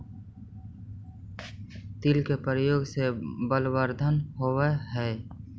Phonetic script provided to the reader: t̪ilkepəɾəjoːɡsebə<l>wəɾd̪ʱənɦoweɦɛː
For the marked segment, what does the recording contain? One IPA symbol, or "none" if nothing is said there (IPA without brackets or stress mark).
l